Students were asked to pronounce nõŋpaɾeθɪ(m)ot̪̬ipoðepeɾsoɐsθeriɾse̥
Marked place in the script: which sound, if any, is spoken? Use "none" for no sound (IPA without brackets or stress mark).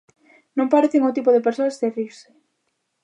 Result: ŋ